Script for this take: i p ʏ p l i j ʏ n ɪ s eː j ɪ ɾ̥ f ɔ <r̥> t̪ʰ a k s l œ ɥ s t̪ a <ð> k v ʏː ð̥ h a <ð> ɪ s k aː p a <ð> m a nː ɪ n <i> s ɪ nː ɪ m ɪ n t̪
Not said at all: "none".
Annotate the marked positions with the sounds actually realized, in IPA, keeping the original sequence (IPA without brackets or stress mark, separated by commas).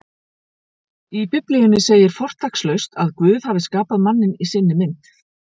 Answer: r̥, ð, v, ð, i